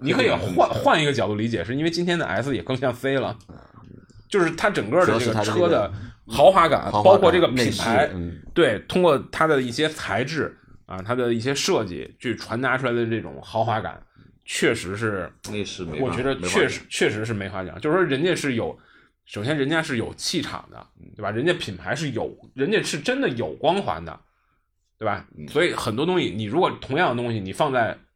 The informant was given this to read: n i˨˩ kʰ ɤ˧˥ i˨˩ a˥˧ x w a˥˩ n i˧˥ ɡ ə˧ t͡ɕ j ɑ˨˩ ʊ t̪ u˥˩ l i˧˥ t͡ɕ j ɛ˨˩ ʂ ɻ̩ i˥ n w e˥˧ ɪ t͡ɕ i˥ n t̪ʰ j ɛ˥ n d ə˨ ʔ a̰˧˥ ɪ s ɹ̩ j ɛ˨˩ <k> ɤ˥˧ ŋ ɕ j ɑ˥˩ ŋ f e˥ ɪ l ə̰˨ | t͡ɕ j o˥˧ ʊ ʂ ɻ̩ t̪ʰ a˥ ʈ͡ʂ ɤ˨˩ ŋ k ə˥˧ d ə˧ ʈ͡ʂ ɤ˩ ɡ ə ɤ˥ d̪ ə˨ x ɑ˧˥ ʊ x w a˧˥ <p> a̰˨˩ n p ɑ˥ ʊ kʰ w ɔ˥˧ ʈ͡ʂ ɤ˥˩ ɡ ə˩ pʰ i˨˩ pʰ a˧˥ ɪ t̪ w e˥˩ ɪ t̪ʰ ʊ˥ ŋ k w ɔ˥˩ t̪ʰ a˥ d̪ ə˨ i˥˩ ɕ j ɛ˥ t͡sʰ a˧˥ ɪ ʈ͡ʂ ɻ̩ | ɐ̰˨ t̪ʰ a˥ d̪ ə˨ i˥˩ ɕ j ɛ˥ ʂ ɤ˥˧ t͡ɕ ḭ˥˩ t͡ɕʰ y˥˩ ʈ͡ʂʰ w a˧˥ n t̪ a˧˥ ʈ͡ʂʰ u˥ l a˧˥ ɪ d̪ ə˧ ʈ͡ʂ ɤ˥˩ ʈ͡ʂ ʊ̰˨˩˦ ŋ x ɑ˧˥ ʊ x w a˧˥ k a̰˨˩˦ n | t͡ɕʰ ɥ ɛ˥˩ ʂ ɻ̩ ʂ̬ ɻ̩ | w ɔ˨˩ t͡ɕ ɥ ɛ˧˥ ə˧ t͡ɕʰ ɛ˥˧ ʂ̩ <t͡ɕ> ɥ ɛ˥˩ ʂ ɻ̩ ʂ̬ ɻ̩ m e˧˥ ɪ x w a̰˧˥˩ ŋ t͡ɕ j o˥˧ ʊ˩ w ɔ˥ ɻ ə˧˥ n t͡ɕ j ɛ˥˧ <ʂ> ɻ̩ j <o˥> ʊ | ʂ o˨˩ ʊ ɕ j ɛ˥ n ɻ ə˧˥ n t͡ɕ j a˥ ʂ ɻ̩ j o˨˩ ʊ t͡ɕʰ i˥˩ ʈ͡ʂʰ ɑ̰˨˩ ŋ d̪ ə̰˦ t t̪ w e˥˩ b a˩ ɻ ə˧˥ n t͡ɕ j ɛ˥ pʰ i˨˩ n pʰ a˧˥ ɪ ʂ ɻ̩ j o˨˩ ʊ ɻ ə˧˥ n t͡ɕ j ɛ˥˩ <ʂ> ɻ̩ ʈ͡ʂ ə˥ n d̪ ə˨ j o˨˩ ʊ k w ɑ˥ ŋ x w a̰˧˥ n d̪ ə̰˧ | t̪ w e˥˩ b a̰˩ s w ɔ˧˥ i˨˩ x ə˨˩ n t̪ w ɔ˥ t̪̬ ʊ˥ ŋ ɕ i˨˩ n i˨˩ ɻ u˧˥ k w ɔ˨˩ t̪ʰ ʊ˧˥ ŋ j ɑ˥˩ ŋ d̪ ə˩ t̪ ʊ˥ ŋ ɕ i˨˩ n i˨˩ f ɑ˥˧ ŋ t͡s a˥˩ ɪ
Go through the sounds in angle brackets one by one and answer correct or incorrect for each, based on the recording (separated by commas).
correct, incorrect, incorrect, correct, incorrect, correct